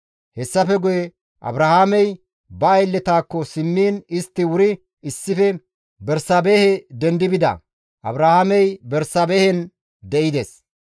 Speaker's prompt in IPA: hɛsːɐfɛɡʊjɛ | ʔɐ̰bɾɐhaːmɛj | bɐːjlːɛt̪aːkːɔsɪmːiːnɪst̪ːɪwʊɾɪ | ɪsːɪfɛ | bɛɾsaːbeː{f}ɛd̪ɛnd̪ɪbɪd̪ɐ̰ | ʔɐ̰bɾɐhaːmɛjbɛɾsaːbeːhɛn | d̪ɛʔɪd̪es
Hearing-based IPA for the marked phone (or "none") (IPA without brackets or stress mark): h